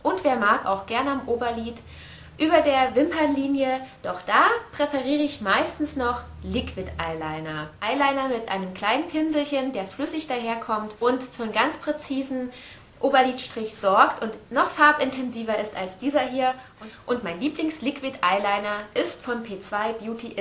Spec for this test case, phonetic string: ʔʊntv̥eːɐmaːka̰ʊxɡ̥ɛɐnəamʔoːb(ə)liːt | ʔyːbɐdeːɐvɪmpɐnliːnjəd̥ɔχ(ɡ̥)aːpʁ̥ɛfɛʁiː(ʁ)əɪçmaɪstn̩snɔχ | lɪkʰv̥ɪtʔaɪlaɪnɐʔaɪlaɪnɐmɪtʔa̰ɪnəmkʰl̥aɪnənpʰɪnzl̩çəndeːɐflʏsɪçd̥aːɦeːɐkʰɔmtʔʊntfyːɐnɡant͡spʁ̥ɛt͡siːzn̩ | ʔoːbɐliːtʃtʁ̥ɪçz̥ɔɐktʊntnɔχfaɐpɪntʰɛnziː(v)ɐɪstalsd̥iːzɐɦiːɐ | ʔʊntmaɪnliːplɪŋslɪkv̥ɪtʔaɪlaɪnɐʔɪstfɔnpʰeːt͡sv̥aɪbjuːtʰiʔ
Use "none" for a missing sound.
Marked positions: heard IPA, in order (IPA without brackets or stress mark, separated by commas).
ɐ, d̥, ʁ, v